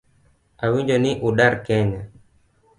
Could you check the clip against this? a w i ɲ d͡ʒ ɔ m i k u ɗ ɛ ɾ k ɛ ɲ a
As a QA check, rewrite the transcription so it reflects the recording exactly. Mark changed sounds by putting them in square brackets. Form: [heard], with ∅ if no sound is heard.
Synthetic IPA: a w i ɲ d͡ʒ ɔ [n] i [ʔ] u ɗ [a] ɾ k ɛ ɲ a